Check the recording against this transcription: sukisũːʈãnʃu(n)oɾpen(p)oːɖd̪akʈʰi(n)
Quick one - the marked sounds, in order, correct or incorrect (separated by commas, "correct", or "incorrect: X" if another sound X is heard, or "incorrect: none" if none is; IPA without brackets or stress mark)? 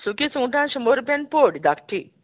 incorrect: m, correct, incorrect: none